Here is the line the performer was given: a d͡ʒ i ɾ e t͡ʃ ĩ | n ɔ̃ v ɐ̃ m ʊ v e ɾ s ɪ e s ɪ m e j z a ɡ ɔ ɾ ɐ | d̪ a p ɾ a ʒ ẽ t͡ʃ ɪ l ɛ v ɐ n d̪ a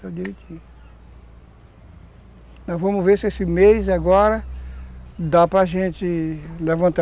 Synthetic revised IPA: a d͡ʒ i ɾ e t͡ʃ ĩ | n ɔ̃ v ɐ̃ m ʊ v e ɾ s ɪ e s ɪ m e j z a ɡ ɔ ɾ ɐ | d̪ a p ɾ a ʒ ẽ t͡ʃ ɪ l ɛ v ɐ̃ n t̪ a

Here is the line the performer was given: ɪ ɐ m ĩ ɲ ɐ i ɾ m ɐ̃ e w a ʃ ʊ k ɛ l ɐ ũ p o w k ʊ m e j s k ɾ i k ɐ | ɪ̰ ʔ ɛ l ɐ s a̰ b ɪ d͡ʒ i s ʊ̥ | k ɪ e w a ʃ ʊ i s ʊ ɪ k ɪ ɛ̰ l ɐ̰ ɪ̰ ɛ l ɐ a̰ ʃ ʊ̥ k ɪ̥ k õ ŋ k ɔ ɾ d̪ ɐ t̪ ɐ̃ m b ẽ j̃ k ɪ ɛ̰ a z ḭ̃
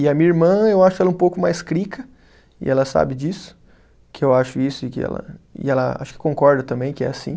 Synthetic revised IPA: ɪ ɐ m ĩ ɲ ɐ i ɾ m ɐ̃ e w a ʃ ʊ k ɛ l ɐ ũ p o w k ʊ m a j s k ɾ i k ɐ | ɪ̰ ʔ ɛ l ɐ s a̰ b ɪ d͡ʒ i s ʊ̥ | k ɪ e w a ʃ ʊ i s ʊ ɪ k ɪ ɛ̰ l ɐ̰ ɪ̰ ɛ l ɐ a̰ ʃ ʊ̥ k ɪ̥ k õ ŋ k ɔ ɾ d̪ ɐ t̪ ɐ̃ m b ẽ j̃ k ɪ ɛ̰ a s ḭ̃

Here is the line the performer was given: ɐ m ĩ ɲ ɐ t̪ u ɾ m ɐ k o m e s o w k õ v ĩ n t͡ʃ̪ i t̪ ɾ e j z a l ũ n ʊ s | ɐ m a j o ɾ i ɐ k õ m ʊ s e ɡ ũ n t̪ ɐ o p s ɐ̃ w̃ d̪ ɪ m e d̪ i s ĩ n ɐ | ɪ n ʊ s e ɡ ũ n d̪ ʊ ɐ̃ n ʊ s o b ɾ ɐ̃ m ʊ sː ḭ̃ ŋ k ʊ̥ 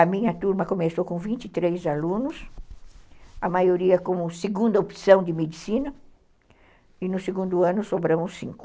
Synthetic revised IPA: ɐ m ĩ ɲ ɐ t̪ u ɾ m ɐ k o m e s o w k õ v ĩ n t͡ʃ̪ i t̪ ɾ e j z a l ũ n ʊ s | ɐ m a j o ɾ i ɐ k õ m ʊ s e ɡ ũ n d̪ ɐ o p s ɐ̃ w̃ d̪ ɪ m e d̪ i s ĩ n ɐ | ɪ n ʊ s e ɡ ũ n d̪ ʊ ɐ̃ n ʊ s o b ɾ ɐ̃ m ʊ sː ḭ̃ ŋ k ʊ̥

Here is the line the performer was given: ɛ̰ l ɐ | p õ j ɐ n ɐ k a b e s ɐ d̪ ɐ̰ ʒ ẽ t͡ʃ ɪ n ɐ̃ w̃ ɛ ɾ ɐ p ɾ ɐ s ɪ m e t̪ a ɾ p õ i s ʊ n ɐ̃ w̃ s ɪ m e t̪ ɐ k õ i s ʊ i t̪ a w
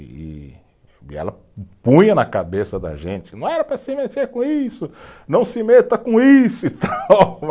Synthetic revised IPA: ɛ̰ l ɐ | p ũ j ɐ n ɐ k a b e s ɐ d̪ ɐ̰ ʒ ẽ t͡ʃ ɪ n ɐ̃ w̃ ɛ ɾ ɐ p ɾ ɐ s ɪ m e t̪ e ɾ k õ i s ʊ n ɐ̃ w̃ s ɪ m e t̪ ɐ k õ i s ʊ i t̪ a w

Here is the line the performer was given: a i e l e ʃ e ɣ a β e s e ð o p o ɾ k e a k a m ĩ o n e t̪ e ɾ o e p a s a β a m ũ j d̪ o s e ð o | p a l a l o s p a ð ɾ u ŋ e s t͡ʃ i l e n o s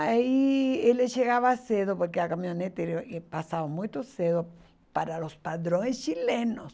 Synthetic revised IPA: a i e l e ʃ e ɣ a β a s e ð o p o ɾ k e a k a m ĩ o n e t̪ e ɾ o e p a s a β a m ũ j t̪ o s e ð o | p a ɾ a l o s p a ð ɾ o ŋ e s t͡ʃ i l e n o s

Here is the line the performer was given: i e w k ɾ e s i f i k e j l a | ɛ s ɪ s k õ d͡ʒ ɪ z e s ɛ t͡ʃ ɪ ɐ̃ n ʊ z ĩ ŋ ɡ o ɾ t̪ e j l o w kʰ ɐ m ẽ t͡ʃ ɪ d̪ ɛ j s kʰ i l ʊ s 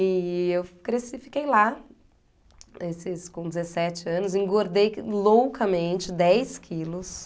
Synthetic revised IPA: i e w k ɾ e s i f i k e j l a | e s ɪ s k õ d͡ʒ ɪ z e s ɛ t͡ʃ ɪ ɐ̃ n ʊ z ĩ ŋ ɡ o ɾ d̪ e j l o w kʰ ɐ m ẽ t͡ʃ ɪ d̪ ɛ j s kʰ i l ʊ s

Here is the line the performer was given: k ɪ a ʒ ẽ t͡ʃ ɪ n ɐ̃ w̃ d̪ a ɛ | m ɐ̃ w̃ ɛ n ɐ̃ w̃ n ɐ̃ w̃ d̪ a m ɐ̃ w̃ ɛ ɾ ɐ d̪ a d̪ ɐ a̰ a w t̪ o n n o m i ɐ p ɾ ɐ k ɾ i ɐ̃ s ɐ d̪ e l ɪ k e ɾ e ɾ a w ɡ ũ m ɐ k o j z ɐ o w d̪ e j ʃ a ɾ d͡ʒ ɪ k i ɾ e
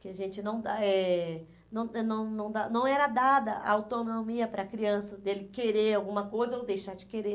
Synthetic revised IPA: k ɪ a ʒ ẽ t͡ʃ ɪ n ɐ̃ w̃ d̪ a ɛ | n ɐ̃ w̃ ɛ n ɐ̃ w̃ n ɐ̃ w̃ d̪ a n ɐ̃ w̃ ɛ ɾ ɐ d̪ a d̪ ɐ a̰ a w t̪ o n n o m i ɐ p ɾ ɐ k ɾ i ɐ̃ s ɐ d̪ e l ɪ k e ɾ e ɾ a w ɡ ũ m ɐ k o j z ɐ o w d̪ e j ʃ a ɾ d͡ʒ ɪ k e ɾ e

